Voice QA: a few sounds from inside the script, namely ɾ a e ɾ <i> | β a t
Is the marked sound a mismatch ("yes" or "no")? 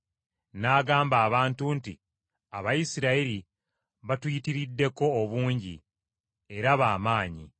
no